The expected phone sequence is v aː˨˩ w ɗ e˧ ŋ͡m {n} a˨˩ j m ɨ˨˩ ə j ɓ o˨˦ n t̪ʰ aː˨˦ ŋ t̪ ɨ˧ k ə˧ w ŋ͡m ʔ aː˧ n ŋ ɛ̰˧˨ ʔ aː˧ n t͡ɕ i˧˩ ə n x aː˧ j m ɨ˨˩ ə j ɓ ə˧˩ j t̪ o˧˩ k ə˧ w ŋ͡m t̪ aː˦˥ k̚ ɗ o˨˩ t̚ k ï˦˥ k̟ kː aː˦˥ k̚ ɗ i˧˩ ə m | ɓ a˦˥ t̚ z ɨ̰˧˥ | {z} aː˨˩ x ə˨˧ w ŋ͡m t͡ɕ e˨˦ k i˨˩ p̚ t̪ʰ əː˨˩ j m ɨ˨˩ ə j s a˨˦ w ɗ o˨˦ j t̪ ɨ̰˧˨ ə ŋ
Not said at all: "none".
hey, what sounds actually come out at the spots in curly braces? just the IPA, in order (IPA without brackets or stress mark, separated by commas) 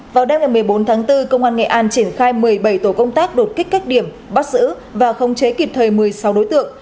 ŋ, v